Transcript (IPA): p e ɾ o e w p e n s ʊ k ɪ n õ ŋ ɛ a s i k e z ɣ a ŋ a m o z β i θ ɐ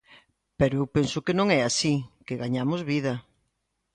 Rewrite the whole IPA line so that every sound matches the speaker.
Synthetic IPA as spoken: p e ɾ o e w p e n s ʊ k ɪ n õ ŋ ɛ a s i k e ɣ a ɲ a m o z β i ð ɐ